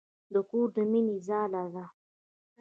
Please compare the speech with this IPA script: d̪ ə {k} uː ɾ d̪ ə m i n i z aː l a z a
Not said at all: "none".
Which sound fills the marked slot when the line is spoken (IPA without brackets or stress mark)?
k